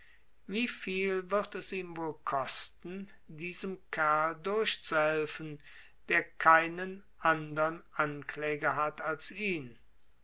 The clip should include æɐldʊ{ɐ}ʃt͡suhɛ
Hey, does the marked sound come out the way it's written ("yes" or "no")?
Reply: yes